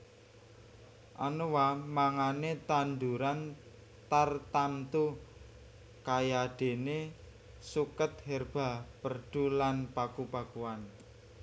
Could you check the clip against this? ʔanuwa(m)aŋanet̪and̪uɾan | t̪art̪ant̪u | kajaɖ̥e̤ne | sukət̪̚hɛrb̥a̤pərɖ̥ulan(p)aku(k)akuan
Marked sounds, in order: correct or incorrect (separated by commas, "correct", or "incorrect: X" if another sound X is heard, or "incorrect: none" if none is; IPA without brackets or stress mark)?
correct, correct, incorrect: p